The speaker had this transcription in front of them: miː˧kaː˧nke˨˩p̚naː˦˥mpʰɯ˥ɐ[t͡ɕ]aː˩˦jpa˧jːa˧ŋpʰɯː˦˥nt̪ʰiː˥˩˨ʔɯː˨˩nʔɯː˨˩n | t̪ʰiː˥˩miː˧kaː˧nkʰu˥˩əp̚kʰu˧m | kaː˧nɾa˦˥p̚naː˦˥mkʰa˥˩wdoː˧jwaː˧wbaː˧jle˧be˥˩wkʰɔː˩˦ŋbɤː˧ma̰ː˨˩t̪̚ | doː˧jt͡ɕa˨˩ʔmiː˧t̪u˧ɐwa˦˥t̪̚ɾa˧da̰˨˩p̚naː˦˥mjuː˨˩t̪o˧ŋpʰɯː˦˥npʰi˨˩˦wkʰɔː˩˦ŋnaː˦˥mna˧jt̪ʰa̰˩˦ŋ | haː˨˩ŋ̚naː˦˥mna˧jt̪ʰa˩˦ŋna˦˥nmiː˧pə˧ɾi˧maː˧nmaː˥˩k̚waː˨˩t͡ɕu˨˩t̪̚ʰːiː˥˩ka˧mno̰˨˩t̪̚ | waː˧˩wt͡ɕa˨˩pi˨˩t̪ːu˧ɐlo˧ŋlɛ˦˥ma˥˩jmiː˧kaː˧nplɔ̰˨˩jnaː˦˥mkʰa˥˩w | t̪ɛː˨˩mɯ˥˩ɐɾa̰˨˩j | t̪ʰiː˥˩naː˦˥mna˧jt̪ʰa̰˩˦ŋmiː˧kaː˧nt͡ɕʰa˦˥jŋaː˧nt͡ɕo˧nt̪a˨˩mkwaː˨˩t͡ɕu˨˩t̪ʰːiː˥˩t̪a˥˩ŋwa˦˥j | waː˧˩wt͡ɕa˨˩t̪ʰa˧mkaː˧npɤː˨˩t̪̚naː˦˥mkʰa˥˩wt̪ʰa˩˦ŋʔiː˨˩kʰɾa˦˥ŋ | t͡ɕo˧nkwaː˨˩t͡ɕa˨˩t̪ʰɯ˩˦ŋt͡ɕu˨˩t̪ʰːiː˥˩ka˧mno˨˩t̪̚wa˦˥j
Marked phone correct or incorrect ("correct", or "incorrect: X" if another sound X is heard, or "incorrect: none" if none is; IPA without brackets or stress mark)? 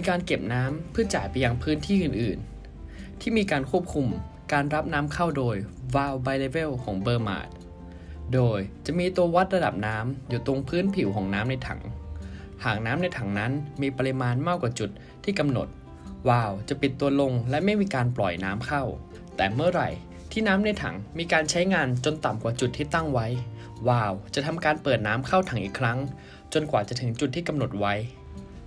correct